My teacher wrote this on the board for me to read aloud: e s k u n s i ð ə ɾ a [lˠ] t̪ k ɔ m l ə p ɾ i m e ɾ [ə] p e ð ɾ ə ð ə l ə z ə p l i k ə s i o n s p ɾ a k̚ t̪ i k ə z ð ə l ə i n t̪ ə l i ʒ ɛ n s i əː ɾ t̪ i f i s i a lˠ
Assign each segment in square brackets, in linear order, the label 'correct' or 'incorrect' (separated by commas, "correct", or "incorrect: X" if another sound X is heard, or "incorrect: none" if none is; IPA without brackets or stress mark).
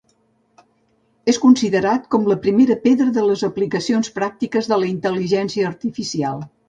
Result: incorrect: none, correct